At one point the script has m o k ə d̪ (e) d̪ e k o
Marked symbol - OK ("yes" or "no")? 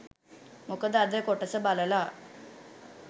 no